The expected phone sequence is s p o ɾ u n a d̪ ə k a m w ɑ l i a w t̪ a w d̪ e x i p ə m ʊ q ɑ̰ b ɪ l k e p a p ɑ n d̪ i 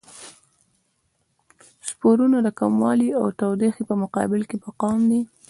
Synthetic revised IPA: s p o ɾ u n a d̪ ə k a m w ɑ l i a w t̪ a w d̪ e x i p ə m ʊ q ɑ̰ b ɪ l k e p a q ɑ m d̪ i